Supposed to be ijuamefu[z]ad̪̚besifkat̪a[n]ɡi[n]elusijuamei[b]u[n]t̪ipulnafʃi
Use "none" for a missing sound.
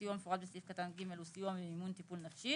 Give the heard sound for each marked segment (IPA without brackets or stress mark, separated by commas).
ʁ, n, m, m, n